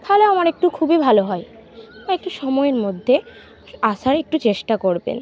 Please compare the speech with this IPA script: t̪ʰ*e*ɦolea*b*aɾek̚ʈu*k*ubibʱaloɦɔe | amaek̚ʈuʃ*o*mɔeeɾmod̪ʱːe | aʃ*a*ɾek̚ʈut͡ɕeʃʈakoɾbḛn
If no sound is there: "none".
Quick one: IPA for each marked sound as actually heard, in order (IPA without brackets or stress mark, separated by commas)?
a, m, kʰ, ɔ, a